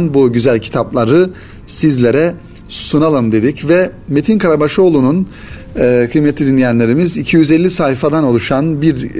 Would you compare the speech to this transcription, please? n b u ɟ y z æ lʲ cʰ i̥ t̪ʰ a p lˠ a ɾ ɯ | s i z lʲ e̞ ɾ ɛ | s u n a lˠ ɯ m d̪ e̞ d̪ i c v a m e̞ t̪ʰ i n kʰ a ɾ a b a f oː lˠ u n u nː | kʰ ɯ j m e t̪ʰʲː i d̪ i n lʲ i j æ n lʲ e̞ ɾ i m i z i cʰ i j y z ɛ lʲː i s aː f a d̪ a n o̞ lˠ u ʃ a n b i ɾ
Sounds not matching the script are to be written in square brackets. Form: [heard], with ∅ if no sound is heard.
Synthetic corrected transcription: n b u ɟ y z æ lʲ cʰ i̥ t̪ʰ a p lˠ a ɾ ɯ | s i z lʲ e̞ ɾ ɛ | s u n a lˠ ɯ m d̪ e̞ d̪ i c v [ɛ] m e̞ t̪ʰ i n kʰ a ɾ a b a [ʃ] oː lˠ u n u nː | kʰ ɯ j m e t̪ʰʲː i d̪ i n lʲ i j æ n lʲ e̞ ɾ i m i z i cʰ i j y z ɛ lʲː i s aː f a d̪ a n o̞ lˠ u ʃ a n b i ɾ